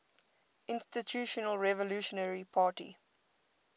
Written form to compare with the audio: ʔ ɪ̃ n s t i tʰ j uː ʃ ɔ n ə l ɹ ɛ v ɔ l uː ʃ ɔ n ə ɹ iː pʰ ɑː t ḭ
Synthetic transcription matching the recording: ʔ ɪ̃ n s t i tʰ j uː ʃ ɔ n ə l ɹ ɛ v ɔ l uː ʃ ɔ n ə ɹ i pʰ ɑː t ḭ